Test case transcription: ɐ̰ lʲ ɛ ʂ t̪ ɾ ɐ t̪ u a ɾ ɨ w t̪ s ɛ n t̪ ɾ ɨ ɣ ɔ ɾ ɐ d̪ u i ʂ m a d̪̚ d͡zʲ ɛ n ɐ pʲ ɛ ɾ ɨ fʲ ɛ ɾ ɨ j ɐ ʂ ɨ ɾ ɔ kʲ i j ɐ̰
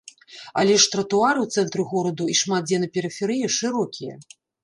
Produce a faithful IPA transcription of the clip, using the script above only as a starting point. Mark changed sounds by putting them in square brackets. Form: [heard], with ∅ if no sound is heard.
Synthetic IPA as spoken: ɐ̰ lʲ ɛ ʂ t̪ ɾ ɐ t̪ u a ɾ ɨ w t̪ s ɛ n t̪ ɾ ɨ ɣ ɔ ɾ ɐ d̪ u i ʂ m a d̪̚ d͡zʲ ɛ n ɐ pʲ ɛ ɾ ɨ fʲ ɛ ɾ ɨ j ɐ ʂ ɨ ɾ ɔ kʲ i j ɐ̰